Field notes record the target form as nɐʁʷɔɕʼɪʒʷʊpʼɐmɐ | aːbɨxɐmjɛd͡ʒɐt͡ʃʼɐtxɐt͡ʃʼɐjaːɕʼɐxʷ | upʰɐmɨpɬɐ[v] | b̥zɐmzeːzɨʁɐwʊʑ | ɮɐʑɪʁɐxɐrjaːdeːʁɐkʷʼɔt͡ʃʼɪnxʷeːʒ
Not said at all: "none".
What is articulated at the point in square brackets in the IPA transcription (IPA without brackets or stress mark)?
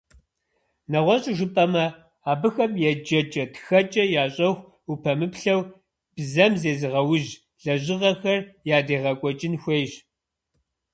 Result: w